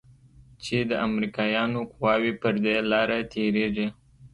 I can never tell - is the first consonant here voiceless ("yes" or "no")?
yes